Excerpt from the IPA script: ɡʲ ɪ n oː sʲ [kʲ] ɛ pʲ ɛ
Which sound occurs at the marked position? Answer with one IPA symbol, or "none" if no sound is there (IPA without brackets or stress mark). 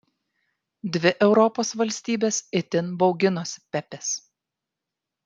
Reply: pʲ